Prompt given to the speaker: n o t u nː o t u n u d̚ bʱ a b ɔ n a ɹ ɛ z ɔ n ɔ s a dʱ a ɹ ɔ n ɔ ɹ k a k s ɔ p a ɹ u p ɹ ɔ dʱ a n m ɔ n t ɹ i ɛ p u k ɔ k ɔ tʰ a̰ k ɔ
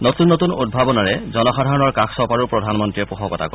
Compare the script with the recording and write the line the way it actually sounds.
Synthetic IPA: n o t u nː o t u n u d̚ bʱ a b ɔ n a ɹ ɛ z ɔ n ɔ x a dʱ a ɹ ɔ n ɔ ɹ k a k s ɔ p a ɹ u p ɹ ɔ dʱ a n m ɔ n t ɹ i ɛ p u x ɔ k ɔ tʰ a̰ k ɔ